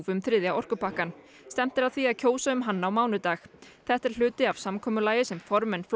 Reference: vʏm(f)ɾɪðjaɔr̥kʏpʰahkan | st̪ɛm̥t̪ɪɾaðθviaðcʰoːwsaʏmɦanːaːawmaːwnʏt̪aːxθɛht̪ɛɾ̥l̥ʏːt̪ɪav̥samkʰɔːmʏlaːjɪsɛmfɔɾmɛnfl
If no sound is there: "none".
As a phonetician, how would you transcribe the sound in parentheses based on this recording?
θ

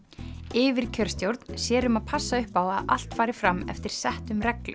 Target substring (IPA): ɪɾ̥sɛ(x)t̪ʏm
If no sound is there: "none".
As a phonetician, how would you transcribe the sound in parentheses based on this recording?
h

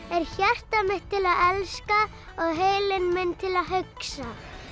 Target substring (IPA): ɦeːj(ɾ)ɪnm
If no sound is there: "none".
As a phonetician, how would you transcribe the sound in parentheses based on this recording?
l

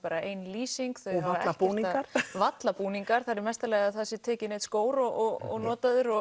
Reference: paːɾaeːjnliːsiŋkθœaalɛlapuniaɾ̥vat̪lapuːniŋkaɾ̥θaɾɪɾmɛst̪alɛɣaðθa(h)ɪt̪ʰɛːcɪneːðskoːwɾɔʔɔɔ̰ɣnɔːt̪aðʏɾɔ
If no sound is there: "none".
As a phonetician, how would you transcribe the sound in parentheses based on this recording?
s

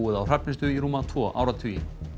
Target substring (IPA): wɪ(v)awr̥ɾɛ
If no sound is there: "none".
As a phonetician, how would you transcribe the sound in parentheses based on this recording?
ð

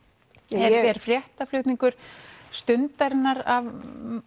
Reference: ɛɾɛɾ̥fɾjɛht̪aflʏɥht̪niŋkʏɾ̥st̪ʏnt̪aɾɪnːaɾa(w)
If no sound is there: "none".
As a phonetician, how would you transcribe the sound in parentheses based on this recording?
v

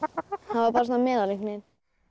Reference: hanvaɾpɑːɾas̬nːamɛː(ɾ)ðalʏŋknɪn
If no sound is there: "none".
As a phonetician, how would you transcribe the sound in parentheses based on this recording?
none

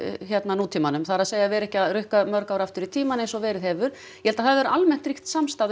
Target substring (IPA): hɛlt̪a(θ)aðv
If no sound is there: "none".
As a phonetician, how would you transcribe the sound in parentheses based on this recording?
θ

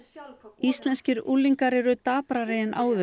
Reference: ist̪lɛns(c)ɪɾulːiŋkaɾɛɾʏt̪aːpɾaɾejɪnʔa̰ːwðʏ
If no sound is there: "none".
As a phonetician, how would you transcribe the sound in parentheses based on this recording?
c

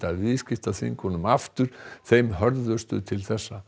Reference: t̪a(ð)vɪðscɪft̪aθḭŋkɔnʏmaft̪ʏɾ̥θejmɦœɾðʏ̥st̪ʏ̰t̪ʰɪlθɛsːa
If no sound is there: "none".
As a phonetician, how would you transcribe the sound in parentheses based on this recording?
ð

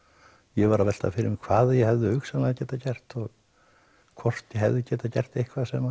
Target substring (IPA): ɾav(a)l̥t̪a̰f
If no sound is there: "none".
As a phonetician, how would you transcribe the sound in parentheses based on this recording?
ɛ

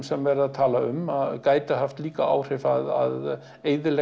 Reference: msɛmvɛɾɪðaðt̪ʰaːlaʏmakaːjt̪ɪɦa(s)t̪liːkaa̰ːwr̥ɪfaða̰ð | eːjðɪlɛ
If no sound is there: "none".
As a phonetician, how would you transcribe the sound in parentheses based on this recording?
f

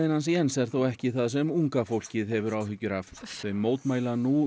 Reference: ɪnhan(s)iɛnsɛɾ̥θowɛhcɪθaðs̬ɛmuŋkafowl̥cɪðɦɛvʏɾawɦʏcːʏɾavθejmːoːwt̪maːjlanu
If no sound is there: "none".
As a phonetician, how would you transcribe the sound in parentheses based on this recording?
s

